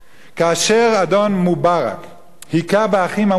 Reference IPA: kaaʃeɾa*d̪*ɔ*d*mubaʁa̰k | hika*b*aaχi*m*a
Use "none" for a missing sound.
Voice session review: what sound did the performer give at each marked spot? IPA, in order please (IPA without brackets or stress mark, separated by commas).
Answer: d̪, n, b, m